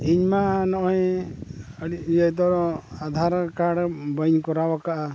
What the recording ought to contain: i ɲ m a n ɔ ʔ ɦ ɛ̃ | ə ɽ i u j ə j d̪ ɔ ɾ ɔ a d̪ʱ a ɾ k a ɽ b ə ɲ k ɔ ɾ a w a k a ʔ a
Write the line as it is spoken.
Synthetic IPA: i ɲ m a n ɔ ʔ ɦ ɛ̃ | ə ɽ i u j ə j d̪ ɔ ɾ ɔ a d̪ʱ a ɾ k a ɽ b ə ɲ k ɔ ɾ a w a k a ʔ a